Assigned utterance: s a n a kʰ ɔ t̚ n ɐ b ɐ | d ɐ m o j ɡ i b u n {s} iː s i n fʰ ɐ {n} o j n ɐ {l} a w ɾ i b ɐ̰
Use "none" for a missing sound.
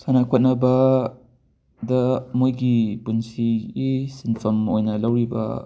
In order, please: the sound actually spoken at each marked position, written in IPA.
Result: s, m, l

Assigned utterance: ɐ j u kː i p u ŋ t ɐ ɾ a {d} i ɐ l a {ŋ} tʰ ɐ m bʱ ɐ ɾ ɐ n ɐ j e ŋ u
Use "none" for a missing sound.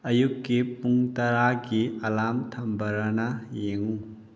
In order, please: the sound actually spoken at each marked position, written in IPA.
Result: ɡ, m

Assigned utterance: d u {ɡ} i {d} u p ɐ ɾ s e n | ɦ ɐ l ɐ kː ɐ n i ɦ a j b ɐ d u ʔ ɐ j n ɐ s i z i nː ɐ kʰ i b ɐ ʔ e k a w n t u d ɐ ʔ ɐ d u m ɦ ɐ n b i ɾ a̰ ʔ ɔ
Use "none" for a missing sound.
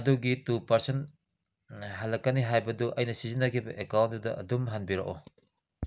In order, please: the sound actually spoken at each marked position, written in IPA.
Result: ɡ, t

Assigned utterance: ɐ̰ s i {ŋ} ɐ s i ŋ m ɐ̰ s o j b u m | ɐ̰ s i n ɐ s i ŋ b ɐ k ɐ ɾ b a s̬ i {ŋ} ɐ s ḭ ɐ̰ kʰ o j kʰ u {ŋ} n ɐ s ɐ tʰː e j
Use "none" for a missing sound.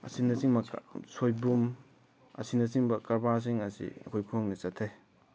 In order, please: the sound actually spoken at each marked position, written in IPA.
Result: n, ŋ, ŋ

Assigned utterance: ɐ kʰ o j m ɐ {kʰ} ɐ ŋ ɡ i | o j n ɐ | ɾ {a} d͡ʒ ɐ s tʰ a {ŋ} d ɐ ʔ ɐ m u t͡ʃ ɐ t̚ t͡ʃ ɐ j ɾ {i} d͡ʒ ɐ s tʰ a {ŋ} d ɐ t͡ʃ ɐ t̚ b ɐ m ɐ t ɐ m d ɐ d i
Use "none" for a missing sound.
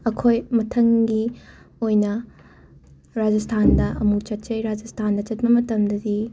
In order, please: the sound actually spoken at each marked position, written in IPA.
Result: tʰ, a, n, a, n

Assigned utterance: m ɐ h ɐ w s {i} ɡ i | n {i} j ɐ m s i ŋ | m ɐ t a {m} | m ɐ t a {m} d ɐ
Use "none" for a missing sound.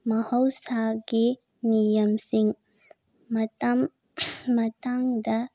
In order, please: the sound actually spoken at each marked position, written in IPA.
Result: a, i, m, ŋ

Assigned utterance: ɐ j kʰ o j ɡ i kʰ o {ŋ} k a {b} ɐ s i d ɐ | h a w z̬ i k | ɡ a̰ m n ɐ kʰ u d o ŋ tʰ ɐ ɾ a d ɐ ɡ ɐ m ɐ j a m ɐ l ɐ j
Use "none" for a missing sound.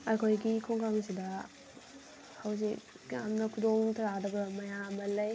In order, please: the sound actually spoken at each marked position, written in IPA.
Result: ŋ, m

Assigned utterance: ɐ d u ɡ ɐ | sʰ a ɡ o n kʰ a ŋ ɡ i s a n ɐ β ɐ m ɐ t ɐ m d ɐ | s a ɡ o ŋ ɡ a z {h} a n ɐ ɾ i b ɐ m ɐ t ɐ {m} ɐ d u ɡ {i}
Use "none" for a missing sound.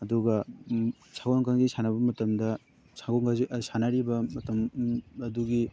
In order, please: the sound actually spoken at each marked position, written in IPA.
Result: s, m, i

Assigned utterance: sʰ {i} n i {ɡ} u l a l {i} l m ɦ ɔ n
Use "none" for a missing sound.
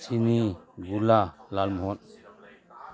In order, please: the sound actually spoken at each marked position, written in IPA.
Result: i, ɡ, a

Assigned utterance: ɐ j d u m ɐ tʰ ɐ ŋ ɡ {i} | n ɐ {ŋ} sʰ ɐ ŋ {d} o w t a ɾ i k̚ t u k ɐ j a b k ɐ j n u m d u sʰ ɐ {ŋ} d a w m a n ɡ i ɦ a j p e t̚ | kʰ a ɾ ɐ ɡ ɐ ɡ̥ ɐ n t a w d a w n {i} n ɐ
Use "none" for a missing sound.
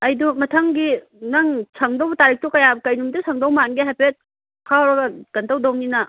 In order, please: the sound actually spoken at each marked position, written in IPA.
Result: i, ŋ, d, ŋ, i

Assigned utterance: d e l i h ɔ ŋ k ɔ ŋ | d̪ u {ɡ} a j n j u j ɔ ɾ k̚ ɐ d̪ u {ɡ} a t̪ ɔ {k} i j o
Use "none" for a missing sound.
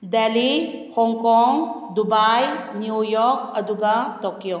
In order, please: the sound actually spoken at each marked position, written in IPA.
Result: b, ɡ, k

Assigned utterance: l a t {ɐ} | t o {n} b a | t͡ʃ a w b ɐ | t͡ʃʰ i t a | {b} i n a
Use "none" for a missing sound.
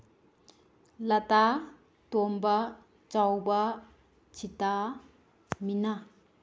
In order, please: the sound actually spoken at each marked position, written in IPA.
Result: a, m, m

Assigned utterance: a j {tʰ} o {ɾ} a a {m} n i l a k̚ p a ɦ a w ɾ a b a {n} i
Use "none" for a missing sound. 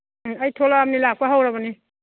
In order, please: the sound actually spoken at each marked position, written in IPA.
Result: tʰ, l, m, n

